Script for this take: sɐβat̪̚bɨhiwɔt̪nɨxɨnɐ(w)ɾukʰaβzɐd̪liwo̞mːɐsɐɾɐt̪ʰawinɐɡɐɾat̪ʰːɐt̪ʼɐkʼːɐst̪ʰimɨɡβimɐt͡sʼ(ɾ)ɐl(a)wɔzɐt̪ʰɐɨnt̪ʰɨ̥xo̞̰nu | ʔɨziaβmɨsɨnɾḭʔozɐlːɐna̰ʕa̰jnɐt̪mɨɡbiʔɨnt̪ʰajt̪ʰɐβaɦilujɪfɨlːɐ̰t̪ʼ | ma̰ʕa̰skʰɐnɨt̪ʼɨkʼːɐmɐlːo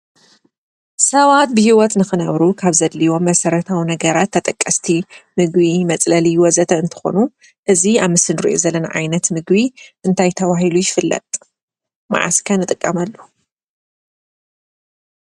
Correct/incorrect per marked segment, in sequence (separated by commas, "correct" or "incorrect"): incorrect, incorrect, incorrect